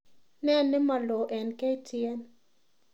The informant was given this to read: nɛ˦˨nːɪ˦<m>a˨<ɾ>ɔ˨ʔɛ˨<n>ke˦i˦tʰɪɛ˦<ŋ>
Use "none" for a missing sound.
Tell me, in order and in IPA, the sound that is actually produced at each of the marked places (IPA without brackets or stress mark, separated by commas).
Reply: m, l, n, n